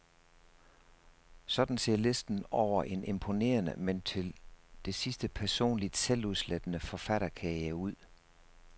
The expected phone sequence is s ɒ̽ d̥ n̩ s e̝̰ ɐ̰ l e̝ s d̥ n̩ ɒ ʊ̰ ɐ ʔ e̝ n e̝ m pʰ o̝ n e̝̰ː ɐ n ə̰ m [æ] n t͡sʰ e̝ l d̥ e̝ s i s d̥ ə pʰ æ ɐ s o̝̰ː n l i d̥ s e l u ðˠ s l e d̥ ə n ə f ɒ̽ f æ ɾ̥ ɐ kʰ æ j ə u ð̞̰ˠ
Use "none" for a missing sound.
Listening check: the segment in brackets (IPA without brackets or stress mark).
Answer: e